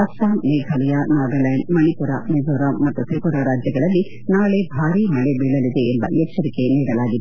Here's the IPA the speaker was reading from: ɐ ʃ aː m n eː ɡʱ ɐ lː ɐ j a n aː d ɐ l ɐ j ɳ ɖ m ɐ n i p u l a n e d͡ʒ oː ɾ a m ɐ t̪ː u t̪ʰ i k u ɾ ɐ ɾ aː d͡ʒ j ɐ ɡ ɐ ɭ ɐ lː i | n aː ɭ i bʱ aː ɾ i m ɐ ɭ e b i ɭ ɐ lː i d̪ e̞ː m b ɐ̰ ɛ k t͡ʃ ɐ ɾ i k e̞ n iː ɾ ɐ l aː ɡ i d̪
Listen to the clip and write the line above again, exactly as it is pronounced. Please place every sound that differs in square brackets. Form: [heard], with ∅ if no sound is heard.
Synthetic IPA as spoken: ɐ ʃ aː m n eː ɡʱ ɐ [l] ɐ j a n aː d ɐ l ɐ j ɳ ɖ m ɐ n i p u [ɾ] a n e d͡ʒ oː ɾ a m ɐ t̪ː u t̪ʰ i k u ɾ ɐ ɾ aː d͡ʒ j ɐ ɡ ɐ ɭ ɐ lː i | n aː ɭ [e] bʱ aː ɾ i m ɐ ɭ e b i ɭ ɐ [l] i d̪ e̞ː m b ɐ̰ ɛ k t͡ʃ ɐ ɾ i k e̞ n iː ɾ ɐ l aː ɡ i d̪